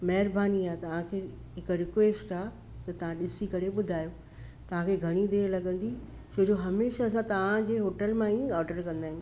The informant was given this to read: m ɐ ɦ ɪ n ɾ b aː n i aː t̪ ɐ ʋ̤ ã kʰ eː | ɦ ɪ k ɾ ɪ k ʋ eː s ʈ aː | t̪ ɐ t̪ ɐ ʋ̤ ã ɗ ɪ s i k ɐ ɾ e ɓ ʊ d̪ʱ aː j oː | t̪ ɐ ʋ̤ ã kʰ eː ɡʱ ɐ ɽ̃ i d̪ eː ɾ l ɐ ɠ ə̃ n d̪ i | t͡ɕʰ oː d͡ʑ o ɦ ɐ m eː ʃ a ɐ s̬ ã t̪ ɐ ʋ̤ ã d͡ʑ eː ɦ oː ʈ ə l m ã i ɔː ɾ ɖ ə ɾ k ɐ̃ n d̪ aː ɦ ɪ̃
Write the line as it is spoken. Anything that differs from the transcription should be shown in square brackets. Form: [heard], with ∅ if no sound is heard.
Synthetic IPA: m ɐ ɦ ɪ [∅] ɾ b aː n i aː t̪ ɐ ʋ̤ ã kʰ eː | ɦ ɪ k ɾ ɪ k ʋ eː s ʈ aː | t̪ ɐ t̪ ɐ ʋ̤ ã ɗ ɪ s i k ɐ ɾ e ɓ ʊ d̪ʱ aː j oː | t̪ ɐ ʋ̤ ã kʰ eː ɡʱ ɐ ɽ̃ i d̪ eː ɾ l ɐ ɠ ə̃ n d̪ i | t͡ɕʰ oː d͡ʑ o ɦ ɐ m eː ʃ a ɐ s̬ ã t̪ ɐ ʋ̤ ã d͡ʑ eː ɦ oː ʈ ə l m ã i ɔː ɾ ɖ ə ɾ k ɐ̃ n d̪ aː ɦ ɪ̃